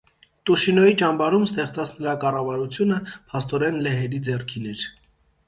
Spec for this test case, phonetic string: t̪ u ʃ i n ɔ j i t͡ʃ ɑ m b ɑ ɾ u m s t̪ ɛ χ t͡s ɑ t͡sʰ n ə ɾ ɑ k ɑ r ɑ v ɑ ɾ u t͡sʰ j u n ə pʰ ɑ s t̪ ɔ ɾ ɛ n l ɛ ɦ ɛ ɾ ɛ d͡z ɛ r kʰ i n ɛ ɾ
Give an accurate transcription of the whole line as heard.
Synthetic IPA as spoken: t̪ u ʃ i n ɔ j i t͡ʃ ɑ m b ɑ ɾ u m s t̪ ɛ χ t͡s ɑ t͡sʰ n ə ɾ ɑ k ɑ r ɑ v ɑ ɾ u t͡sʰ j u n ə pʰ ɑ s t̪ ɔ ɾ ɛ n l ɛ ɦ ɛ ɾ i d͡z ɛ r kʰ i n ɛ ɾ